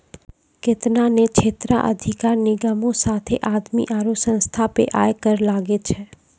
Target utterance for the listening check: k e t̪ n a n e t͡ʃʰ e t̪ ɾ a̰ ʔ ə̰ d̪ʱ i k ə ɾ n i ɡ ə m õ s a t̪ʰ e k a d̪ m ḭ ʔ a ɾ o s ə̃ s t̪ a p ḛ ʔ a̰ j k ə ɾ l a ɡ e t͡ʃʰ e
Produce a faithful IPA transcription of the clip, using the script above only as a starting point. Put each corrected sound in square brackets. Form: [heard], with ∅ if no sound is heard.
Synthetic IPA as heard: k e t̪ n a n e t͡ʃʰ e t̪ ɾ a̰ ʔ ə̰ d̪ʱ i k [a] ɾ n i ɡ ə m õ s a t̪ʰ e [ʔ] a d̪ m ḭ ʔ a ɾ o s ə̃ s [t̪ʰ] a p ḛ ʔ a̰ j k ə ɾ l a ɡ e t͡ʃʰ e